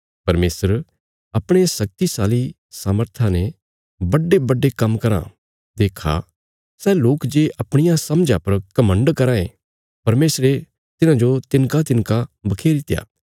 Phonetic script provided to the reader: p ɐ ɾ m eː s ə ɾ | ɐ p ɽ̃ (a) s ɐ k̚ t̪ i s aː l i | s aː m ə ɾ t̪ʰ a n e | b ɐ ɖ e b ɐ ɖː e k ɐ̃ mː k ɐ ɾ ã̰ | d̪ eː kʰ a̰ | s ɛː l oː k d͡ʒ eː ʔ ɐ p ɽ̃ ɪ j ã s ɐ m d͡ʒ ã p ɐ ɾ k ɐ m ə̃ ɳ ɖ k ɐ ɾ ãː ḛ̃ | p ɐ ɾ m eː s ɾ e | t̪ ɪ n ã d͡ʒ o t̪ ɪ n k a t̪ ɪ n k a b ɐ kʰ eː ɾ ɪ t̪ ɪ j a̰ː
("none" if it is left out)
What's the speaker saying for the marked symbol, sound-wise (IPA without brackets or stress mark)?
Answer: e